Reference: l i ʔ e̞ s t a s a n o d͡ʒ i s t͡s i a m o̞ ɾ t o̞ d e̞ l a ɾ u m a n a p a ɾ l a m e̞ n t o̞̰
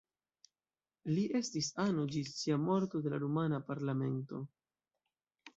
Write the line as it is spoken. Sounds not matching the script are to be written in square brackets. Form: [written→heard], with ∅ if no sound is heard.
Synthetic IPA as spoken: l i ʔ e̞ s t [a→i] s a n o d͡ʒ i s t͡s i a m o̞ ɾ t o̞ d e̞ l a ɾ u m a n a p a ɾ l a m e̞ n t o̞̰